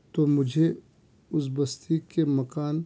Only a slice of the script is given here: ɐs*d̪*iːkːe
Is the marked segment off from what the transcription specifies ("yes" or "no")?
yes